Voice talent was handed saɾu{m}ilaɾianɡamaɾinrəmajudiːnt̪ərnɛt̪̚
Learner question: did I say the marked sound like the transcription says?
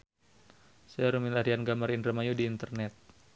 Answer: yes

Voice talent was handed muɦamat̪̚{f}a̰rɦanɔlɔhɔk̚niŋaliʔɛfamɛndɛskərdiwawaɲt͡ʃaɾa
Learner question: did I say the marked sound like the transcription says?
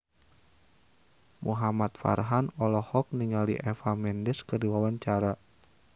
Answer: yes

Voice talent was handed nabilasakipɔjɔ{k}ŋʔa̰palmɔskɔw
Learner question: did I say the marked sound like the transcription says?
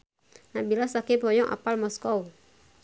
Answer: no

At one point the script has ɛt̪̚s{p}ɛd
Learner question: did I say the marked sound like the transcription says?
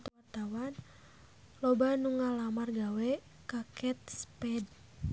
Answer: yes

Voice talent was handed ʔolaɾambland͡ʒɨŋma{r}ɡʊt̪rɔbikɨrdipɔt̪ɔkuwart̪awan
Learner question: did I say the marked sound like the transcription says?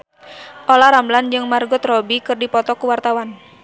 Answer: yes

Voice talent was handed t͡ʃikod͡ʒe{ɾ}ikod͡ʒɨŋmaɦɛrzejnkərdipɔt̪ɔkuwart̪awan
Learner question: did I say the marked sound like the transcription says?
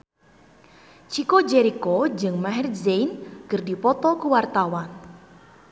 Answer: yes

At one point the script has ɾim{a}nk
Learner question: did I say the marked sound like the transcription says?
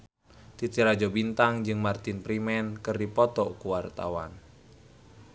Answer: no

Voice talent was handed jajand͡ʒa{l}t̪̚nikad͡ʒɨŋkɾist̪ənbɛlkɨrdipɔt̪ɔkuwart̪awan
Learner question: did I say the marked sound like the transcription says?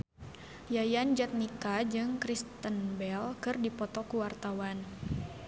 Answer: no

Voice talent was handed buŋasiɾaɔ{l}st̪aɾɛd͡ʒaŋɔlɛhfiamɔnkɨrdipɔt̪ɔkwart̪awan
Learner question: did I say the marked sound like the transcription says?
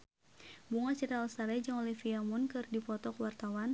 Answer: yes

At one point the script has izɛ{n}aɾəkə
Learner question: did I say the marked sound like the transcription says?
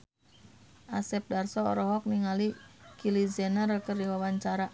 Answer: yes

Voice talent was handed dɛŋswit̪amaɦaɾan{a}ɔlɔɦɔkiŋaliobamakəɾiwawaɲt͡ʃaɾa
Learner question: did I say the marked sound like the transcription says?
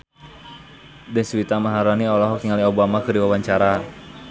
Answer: no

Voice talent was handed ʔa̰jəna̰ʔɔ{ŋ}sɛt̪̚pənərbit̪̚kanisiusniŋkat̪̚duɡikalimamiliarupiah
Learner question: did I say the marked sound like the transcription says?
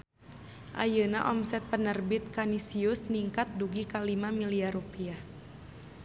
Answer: no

